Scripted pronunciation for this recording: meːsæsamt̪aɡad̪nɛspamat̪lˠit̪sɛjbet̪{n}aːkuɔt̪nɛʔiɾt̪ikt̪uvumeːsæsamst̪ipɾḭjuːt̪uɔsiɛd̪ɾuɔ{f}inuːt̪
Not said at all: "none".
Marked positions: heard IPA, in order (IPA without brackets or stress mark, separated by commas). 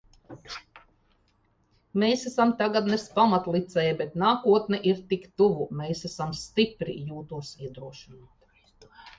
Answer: n, ʃ